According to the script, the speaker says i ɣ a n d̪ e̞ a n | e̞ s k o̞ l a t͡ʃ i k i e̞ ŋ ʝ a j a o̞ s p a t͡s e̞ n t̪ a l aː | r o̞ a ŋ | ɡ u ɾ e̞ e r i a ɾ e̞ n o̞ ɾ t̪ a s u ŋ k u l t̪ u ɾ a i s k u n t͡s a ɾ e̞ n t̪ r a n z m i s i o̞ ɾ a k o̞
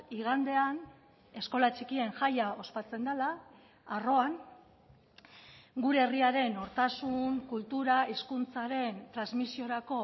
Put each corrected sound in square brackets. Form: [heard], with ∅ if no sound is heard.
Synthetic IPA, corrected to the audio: i ɣ a n d̪ e̞ a n | e̞ s k o̞ l a t͡ʃ i k i e̞ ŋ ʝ a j a o̞ s p a t͡s e̞ n [d̪] a l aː | r o̞ a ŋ | ɡ u ɾ e̞ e r i a ɾ e̞ n o̞ ɾ t̪ a s u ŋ k u l t̪ u ɾ a i s k u n t͡s a ɾ e̞ n t̪ [ɾ] a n z m i s i o̞ ɾ a k o̞